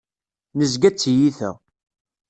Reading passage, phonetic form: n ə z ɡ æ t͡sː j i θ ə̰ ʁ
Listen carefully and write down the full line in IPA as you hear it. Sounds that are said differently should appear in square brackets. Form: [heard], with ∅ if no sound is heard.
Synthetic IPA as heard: n ə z ɡ æ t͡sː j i θ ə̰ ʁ